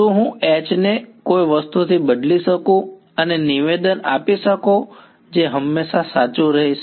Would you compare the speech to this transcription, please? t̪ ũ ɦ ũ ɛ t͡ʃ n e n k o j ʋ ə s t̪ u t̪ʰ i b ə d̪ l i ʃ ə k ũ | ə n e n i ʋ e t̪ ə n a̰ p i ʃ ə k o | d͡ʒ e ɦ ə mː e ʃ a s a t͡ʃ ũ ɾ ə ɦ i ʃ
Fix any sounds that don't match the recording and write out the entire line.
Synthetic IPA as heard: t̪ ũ ɦ ũ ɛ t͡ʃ n e k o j ʋ ə s t̪ u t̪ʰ i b ə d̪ l i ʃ ə k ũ | ə n e n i ʋ e d̪ ə n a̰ p i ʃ ə k o | d͡ʒ e ɦ ə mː e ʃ a s a t͡ʃ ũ ɾ ə ɦ i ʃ